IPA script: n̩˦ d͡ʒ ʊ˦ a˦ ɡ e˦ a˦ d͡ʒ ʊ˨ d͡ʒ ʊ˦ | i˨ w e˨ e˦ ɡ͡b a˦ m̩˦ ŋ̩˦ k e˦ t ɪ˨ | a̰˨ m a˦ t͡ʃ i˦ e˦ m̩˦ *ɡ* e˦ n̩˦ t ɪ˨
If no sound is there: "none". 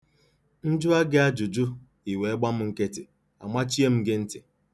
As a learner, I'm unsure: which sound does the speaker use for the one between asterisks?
ɡ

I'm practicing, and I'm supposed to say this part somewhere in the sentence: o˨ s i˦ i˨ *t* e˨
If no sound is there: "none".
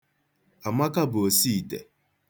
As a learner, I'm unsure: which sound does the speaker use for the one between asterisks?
t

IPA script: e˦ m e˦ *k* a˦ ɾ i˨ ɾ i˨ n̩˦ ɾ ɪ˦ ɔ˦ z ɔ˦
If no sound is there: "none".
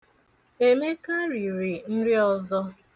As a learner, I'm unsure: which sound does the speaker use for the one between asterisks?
k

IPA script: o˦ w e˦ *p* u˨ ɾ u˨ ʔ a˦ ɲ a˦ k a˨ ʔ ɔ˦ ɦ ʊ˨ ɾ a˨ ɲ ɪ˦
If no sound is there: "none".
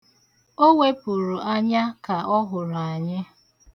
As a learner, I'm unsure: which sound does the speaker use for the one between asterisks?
p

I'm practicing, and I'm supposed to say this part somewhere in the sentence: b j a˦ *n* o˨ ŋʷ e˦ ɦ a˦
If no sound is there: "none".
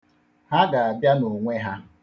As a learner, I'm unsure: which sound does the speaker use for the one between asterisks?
n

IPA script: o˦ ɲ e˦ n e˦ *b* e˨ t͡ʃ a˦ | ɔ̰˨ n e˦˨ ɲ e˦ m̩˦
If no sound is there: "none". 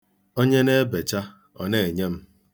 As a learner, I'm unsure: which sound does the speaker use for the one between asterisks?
b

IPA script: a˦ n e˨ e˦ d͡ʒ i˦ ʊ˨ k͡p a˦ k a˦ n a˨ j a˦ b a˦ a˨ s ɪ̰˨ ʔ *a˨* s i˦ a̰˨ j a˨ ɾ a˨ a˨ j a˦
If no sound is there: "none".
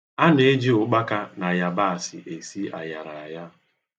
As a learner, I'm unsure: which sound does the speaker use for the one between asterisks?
e˨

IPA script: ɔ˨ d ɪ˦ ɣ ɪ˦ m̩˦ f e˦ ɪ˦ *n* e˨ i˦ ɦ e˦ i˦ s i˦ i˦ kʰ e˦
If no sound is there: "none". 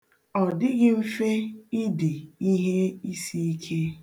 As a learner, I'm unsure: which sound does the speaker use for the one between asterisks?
d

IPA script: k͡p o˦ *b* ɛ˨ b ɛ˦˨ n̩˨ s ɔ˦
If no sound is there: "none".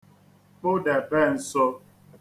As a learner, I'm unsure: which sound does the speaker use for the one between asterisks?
d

